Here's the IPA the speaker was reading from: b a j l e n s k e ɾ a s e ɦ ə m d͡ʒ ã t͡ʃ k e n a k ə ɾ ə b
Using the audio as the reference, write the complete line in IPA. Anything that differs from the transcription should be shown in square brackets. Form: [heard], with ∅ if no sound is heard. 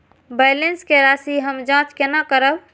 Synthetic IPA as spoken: b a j l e n s k e ɾ a s [i] ɦ ə m d͡ʒ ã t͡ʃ k e n a k ə ɾ ə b